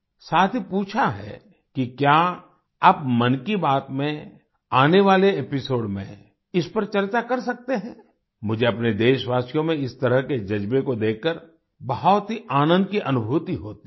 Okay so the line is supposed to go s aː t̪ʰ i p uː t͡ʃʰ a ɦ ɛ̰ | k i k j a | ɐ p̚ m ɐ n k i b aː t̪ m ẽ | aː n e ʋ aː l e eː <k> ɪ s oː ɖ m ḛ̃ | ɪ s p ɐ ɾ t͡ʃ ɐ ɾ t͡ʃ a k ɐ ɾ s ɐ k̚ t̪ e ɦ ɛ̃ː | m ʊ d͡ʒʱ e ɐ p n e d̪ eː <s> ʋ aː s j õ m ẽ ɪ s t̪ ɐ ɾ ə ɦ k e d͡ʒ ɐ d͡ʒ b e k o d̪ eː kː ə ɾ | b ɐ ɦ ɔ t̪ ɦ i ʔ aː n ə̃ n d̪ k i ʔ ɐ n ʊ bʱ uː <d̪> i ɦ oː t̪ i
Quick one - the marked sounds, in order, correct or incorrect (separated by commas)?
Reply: incorrect, incorrect, incorrect